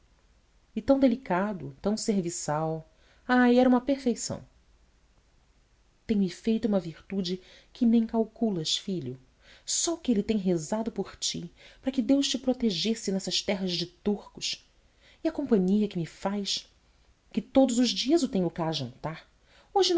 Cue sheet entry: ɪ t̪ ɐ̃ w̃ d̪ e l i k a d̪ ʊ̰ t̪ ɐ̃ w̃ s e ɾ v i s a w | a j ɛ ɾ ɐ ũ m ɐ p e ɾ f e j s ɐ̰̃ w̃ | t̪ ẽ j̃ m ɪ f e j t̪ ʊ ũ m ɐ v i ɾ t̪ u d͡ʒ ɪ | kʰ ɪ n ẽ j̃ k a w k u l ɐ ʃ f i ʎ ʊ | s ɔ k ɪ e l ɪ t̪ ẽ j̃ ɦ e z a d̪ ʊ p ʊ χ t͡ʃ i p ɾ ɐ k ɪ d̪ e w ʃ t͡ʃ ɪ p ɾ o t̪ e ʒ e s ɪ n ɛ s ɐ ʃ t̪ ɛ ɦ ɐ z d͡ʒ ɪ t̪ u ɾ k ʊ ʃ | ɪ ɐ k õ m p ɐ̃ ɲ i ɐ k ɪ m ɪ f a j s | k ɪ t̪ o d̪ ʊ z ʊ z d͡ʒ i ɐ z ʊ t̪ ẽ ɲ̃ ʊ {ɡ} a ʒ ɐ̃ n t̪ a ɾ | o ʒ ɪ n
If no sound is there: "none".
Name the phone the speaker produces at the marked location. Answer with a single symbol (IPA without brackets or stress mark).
k